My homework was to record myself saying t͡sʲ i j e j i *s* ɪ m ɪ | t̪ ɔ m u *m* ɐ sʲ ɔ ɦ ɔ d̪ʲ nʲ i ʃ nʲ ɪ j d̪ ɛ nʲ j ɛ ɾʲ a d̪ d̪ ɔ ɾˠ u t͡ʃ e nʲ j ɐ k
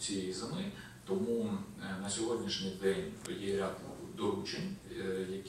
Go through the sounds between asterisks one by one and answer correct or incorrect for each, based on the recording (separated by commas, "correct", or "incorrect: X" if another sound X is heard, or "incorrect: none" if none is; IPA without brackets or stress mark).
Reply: incorrect: z, incorrect: n